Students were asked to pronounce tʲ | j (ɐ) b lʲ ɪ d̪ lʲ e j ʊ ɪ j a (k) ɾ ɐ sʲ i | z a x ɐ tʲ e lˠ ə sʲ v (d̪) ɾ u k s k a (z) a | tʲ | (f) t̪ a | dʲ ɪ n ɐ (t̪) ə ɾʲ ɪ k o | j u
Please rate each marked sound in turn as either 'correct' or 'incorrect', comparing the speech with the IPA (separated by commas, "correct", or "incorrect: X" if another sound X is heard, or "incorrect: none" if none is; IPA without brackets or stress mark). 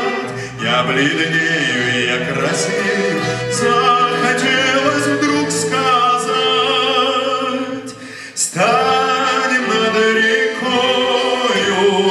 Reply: incorrect: a, correct, correct, correct, incorrect: s, incorrect: d̪